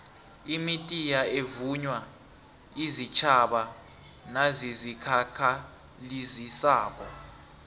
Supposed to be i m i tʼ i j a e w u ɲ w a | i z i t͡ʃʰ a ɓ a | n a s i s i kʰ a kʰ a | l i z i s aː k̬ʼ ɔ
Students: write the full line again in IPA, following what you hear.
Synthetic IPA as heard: i m i tʼ i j a e v u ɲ w a | i z i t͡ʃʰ a ɓ a | n a z i z i kʰ a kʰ a | l i z i s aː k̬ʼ ɔ

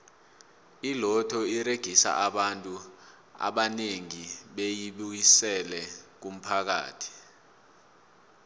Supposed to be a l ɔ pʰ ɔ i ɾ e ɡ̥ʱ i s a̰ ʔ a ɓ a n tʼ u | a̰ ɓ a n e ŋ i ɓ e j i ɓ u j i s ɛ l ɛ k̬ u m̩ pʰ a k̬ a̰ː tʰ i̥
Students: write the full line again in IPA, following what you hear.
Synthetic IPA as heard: i l ɔ tʰ ɔ i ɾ e ɡ̥ʱ i s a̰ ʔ a ɓ a n tʼ u | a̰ ɓ a n e ŋ i ɓ e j i ɓ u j i s ɛ l ɛ k̬ u m̩ pʰ a k̬ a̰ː tʰ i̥

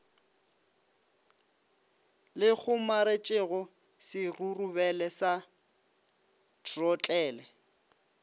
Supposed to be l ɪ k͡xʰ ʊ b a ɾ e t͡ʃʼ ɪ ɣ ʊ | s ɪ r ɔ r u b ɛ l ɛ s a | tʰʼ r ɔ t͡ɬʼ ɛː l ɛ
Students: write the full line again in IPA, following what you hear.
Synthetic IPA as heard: l ɪ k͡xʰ ʊ m a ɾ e t͡ʃʼ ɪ ɣ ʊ | s ɪ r u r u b ɛ l ɛ s a | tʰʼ r ɔ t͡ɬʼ ɛː l ɛ

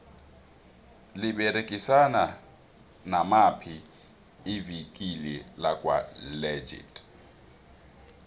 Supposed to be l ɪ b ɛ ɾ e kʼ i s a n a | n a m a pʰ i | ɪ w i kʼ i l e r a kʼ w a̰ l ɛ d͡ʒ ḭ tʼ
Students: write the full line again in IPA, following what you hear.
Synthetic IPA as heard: l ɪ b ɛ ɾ e kʼ i s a n a | n a m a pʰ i | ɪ v i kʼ i l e l a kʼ w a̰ l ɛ d͡ʒ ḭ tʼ

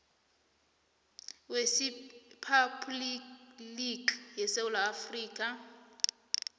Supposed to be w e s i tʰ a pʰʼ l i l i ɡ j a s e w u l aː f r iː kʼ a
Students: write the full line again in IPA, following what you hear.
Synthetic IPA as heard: w e s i pʰ a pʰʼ l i l i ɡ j ɛ s e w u l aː f r iː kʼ a

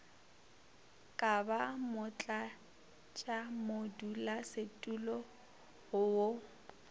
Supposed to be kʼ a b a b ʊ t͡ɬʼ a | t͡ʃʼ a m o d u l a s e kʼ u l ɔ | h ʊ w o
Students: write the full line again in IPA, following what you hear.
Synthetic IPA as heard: kʼ a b a m ʊ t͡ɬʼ a | t͡ʃʼ a m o d u l a s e tʼ u l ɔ | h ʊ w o

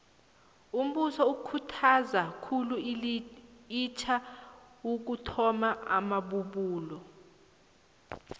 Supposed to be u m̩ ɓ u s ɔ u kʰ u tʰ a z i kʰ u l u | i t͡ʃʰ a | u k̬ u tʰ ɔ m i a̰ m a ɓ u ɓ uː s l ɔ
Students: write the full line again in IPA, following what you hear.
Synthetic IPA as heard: u m̩ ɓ u s ɔ u kʰ u tʰ a z a kʰ u l u | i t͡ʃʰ a | u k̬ u tʰ ɔ m a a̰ m a ɓ u ɓ uː l ɔ

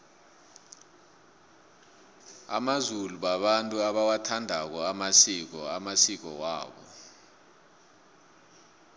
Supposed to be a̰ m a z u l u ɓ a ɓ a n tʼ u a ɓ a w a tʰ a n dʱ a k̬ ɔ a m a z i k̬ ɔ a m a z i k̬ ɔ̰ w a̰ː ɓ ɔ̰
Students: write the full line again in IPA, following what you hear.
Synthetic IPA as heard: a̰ m a z u l u ɓ a ɓ a n tʼ u a ɓ a w a tʰ a n dʱ a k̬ ɔ a m a s i k̬ ɔ a m a s i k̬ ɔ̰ w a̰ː ɓ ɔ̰

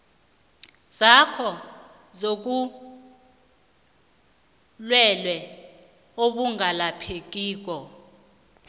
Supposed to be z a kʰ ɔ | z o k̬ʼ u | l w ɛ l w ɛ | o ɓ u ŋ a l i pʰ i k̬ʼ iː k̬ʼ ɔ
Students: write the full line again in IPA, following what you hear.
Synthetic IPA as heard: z a kʰ ɔ | z o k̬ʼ u | l w ɛ l w ɛ | o ɓ u ŋ a l a pʰ e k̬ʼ iː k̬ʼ ɔ

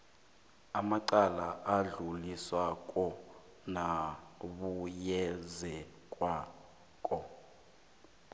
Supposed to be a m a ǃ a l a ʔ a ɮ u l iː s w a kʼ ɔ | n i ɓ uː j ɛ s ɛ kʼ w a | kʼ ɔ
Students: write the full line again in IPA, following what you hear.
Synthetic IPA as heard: a m a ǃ a l a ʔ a ɮ u l i s w a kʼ ɔ | n a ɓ u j ɛ z ɛ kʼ w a | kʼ ɔ

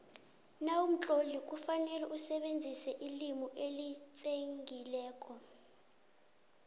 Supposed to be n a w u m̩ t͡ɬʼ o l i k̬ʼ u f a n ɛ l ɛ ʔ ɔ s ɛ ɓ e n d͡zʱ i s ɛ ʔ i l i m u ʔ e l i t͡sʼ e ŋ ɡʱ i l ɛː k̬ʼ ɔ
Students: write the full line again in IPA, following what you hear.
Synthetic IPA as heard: n a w u m̩ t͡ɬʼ o l i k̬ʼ u f a n ɛ l ɛ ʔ u s ɛ ɓ e n d͡zʱ i s ɛ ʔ i l i m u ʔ e l i t͡sʼ e ŋ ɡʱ i l ɛː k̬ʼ ɔ

